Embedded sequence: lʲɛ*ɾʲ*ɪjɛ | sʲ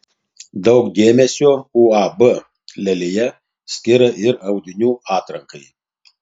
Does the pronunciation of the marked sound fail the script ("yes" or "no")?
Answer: yes